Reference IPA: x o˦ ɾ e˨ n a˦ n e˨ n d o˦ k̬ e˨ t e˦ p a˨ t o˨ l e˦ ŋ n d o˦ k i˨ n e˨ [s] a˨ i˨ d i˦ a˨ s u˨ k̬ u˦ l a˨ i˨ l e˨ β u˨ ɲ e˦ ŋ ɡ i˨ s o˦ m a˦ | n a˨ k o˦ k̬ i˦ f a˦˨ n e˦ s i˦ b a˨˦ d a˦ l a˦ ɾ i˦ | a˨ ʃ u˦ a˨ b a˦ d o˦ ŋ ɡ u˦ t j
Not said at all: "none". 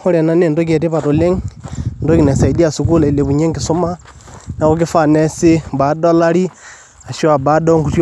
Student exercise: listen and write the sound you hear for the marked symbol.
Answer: s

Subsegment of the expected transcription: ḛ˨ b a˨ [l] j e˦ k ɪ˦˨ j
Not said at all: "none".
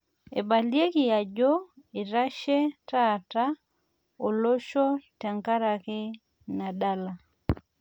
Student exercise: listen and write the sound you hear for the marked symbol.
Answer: l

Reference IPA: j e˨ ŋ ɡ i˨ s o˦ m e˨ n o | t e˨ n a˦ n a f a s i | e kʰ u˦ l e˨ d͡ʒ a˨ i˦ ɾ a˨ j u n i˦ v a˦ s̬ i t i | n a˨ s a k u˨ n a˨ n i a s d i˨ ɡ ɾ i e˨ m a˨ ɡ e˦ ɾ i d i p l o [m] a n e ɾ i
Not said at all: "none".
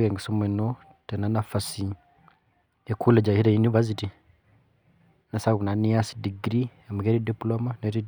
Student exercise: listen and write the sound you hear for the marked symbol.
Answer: m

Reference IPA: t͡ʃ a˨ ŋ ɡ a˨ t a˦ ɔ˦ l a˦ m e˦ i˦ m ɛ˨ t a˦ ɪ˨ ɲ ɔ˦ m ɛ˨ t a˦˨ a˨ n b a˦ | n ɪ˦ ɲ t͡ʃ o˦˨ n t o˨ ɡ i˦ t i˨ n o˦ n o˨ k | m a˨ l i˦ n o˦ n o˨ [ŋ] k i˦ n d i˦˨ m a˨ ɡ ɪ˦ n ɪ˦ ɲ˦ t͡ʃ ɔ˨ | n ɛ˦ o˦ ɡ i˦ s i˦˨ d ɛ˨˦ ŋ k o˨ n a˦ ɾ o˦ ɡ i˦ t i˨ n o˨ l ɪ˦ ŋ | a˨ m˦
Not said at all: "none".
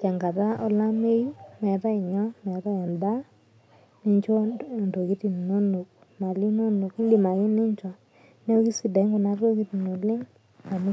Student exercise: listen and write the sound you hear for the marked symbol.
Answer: none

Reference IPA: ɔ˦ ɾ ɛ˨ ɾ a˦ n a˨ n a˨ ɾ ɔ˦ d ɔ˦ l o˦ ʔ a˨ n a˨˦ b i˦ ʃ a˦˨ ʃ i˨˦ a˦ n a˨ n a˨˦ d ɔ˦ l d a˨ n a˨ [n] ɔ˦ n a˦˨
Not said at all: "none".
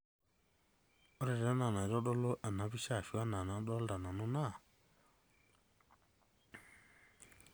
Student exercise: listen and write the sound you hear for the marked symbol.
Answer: n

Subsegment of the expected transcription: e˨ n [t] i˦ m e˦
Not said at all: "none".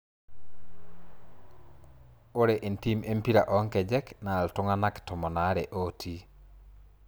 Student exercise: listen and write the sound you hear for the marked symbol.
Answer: t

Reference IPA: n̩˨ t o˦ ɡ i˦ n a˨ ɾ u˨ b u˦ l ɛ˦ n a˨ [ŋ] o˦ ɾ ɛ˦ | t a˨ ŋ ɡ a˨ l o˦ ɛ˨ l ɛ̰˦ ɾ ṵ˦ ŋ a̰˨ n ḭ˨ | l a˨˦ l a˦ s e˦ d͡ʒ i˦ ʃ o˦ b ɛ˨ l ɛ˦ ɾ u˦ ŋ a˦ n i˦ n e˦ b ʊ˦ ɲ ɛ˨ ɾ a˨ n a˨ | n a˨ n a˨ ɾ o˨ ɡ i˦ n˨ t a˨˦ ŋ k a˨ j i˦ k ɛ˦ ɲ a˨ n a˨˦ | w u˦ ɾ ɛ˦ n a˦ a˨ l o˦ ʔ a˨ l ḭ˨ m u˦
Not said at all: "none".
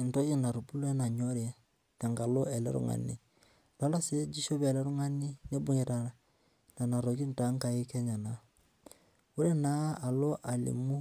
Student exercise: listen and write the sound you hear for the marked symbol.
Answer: ɲ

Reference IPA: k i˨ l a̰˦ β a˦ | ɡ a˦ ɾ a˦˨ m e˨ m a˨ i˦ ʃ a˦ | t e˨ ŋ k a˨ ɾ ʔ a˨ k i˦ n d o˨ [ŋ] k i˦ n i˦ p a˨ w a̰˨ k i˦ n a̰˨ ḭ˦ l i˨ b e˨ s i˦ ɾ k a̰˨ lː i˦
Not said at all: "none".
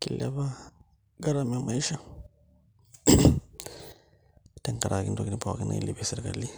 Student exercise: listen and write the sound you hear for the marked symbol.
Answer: none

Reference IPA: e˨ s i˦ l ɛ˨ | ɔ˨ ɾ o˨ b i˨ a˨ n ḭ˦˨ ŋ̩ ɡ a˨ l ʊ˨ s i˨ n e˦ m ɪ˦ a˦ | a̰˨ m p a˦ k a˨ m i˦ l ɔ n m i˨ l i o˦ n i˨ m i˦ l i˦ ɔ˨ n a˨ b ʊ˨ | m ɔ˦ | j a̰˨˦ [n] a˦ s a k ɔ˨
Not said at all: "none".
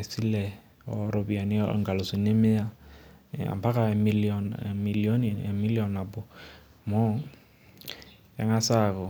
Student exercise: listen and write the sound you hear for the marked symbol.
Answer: ŋ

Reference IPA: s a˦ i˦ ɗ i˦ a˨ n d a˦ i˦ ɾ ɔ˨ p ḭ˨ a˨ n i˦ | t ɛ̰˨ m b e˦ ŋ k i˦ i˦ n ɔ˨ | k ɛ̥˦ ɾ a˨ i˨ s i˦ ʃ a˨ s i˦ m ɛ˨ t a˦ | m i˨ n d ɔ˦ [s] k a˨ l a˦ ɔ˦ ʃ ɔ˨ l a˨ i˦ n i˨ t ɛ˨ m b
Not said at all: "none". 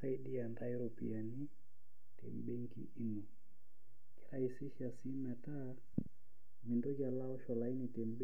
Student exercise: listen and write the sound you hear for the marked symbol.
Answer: none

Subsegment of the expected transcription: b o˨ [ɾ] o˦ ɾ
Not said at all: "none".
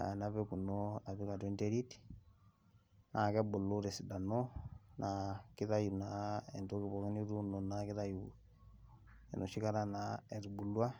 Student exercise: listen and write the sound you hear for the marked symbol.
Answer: l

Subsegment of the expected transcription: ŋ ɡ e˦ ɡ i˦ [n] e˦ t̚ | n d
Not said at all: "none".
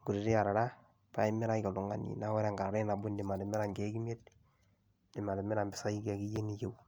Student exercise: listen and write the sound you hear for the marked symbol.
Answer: m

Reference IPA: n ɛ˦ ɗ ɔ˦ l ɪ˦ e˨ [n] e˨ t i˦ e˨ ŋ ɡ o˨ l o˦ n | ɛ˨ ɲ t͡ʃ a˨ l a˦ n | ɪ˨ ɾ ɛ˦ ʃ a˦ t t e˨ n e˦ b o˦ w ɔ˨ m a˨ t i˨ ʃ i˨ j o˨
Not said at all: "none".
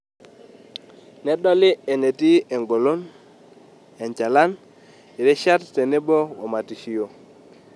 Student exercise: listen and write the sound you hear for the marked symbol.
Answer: n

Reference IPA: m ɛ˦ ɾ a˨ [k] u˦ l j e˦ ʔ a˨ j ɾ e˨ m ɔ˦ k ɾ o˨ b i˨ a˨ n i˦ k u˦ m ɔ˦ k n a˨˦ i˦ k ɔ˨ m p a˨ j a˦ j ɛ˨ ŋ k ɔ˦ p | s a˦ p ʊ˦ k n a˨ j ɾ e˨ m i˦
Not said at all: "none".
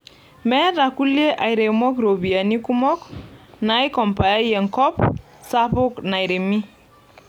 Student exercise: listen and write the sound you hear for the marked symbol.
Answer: k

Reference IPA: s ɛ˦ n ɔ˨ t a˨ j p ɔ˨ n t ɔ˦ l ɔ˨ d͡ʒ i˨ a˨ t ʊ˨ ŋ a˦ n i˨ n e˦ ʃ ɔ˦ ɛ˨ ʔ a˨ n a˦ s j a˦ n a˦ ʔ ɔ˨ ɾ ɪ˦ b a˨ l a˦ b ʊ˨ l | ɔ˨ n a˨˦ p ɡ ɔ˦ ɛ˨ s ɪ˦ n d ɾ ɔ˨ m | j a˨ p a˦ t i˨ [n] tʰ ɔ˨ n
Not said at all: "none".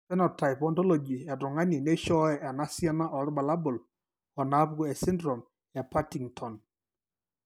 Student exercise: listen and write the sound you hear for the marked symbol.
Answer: ŋ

